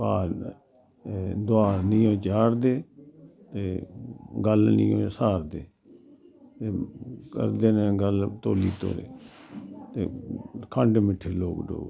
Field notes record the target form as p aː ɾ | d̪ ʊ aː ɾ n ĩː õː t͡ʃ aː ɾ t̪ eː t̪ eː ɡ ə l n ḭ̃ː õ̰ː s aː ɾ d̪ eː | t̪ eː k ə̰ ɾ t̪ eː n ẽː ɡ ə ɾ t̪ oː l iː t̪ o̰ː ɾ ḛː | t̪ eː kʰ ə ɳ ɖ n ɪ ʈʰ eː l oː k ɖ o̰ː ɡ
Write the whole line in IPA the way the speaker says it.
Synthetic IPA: p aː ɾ | d̪ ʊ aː ɾ n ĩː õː t͡ʃ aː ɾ d̪ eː t̪ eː ɡ ə l n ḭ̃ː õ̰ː s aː ɾ d̪ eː | t̪ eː k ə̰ ɾ d̪ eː n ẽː ɡ ə l t̪ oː l iː t̪ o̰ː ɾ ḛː | t̪ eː kʰ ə ɳ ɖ m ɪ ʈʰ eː l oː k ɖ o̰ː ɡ